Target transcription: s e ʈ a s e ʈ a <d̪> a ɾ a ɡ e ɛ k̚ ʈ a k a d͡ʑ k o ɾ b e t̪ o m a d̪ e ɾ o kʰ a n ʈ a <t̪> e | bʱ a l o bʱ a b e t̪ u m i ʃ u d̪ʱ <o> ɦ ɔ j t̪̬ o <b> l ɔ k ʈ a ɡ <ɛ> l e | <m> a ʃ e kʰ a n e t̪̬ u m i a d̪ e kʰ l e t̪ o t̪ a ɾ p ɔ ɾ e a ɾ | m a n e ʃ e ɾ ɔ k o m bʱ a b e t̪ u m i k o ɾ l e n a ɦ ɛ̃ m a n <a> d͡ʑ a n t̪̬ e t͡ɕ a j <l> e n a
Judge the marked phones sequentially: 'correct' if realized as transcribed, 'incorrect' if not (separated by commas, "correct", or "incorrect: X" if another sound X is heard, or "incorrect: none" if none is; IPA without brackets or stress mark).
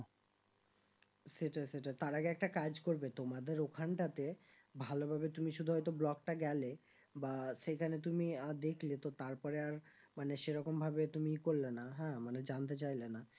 incorrect: t̪, correct, incorrect: u, correct, correct, incorrect: b, incorrect: e, correct